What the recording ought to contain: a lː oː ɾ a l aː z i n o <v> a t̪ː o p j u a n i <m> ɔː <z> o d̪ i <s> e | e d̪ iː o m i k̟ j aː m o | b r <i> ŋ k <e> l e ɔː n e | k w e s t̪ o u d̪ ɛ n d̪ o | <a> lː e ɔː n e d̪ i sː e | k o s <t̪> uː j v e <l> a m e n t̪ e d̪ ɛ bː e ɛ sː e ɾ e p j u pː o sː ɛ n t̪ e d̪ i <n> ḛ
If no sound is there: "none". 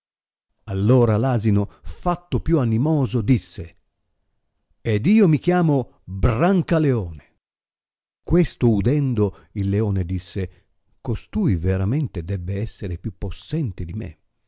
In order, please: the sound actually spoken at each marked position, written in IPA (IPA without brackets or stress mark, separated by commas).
f, m, z, sː, a, a, i, t̪, ɾ, m